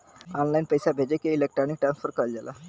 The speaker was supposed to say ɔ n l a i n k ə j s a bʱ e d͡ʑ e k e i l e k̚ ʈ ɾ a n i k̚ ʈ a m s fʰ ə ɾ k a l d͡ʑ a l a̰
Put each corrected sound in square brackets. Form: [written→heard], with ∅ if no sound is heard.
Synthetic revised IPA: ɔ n l a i n [k→p] ə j s a bʱ e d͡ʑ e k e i l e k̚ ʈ ɾ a n i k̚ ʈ a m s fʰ ə ɾ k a l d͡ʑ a l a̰